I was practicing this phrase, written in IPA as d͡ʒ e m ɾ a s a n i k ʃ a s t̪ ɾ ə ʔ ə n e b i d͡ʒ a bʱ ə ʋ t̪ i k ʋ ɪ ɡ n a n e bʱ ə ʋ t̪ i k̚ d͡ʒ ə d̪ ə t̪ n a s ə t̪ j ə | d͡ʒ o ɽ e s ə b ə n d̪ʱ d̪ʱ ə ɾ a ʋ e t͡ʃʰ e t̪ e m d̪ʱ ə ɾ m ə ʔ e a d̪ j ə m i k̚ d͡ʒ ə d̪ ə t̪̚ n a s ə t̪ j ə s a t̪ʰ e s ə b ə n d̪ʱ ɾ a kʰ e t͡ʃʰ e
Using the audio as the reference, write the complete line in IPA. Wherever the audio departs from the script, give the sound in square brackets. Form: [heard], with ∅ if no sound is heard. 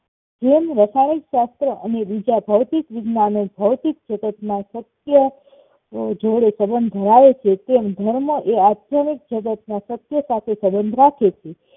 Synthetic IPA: d͡ʒ e m ɾ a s a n i k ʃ a s t̪ ɾ ə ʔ ə n e b i d͡ʒ a bʱ ə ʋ t̪ i k ʋ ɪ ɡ n a n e bʱ ə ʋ t̪ i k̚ d͡ʒ ə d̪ ə t̪ n a s ə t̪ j ə | d͡ʒ o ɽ e s ə b ə n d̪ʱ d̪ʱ ə ɾ a ʋ e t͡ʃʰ e t̪ e m d̪ʱ ə ɾ m ə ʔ e a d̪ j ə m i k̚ d͡ʒ ə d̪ ə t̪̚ n a s ə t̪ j ə s a t̪ʰ e s ə b ə n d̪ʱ ɾ a kʰ e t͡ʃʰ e